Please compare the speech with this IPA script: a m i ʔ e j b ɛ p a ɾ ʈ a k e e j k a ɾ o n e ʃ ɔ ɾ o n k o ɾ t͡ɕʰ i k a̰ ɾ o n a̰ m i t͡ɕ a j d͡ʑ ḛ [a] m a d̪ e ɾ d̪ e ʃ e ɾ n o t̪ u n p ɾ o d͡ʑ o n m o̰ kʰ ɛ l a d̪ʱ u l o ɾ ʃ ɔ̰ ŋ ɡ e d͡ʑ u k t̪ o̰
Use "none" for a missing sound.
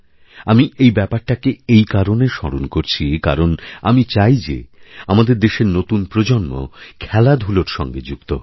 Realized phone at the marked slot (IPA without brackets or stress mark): a